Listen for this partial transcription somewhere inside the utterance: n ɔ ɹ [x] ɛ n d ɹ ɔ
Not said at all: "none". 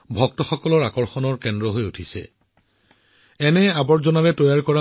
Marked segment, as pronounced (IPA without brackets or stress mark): k